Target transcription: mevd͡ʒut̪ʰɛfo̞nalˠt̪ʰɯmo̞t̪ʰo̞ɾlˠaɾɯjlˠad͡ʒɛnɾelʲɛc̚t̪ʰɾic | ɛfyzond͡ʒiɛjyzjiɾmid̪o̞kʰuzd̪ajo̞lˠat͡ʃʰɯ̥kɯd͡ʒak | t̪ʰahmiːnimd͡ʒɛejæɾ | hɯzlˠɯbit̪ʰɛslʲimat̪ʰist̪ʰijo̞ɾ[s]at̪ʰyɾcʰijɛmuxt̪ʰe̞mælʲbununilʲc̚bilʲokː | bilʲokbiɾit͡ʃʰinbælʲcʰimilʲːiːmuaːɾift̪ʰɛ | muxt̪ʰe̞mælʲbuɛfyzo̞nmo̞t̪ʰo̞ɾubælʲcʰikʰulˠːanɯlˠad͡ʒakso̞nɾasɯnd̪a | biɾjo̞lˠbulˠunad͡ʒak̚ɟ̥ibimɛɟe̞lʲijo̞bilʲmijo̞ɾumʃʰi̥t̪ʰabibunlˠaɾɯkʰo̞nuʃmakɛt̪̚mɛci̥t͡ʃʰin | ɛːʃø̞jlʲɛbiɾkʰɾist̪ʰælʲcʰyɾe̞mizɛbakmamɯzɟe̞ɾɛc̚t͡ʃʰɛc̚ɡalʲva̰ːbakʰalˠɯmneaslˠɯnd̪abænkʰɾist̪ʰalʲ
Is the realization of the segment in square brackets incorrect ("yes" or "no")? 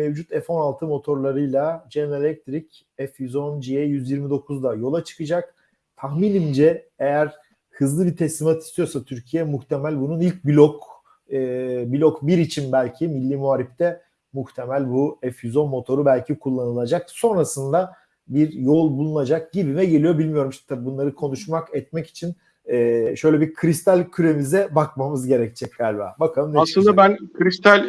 no